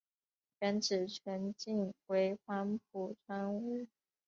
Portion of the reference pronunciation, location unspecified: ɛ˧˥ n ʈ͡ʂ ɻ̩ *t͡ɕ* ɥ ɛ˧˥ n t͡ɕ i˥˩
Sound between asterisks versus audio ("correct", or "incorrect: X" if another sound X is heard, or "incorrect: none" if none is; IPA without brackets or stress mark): incorrect: t͡ɕʰ